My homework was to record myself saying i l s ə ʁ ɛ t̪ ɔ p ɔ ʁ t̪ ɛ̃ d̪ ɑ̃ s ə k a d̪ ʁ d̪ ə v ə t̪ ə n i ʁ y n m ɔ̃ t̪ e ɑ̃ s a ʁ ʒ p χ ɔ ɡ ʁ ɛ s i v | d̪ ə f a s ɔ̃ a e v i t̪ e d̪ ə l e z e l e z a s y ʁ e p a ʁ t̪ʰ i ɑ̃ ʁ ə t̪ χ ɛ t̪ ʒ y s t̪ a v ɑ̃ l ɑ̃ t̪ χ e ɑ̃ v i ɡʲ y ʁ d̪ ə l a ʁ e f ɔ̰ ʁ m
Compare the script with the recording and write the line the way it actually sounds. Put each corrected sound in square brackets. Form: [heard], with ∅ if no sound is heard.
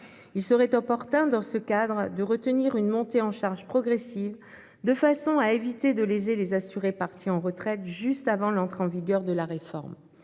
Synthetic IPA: i l s ə ʁ ɛ t̪ ɔ p ɔ ʁ t̪ ɛ̃ d̪ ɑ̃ s ə k a d̪ ʁ d̪ ə [ʁ] ə t̪ ə n i ʁ y n m ɔ̃ t̪ e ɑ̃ [ʃ] a ʁ ʒ p χ ɔ ɡ ʁ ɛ s i v | d̪ ə f a s ɔ̃ a e v i t̪ e d̪ ə l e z e l e z a s y ʁ e p a ʁ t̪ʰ i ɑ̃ ʁ ə t̪ χ ɛ t̪ ʒ y s t̪ a v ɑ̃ l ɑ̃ t̪ χ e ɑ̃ v i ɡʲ [œ] ʁ d̪ ə l a ʁ e f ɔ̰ ʁ m